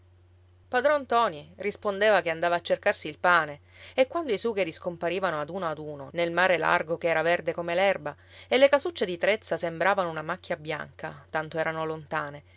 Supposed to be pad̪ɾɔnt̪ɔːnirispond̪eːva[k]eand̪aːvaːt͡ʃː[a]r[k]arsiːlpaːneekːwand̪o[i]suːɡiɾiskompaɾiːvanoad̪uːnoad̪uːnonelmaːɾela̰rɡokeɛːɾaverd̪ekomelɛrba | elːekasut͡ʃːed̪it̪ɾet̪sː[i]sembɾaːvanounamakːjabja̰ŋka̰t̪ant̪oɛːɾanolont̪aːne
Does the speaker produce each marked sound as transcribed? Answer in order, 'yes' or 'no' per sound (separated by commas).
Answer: yes, no, yes, yes, no